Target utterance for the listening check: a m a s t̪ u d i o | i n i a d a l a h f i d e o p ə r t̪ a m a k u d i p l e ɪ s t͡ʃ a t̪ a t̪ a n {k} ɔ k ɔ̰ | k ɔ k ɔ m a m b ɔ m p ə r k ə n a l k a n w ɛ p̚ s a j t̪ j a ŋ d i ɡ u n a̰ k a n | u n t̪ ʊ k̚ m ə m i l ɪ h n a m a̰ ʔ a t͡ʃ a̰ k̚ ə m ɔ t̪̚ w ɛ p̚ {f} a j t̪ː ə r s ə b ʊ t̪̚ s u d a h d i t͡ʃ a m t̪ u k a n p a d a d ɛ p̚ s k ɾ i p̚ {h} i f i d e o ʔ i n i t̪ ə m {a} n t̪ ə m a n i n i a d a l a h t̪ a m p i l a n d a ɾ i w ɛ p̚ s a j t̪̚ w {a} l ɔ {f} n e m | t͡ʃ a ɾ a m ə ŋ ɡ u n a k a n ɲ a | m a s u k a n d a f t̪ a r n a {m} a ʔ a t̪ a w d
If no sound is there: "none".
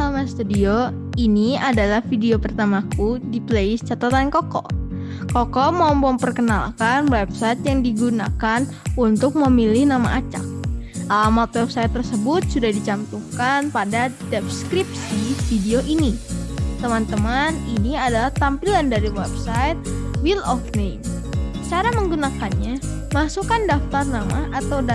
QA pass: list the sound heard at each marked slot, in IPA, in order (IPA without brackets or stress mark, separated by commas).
k, s, s, a, i, f, m